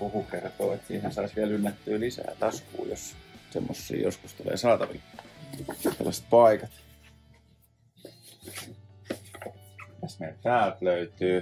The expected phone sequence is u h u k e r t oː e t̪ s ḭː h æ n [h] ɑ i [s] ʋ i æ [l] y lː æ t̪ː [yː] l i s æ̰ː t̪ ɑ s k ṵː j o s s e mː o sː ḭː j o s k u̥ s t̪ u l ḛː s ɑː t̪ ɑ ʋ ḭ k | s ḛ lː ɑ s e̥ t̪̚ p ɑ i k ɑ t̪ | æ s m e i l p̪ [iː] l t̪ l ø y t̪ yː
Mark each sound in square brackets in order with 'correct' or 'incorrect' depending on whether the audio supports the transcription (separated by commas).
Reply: incorrect, correct, correct, correct, incorrect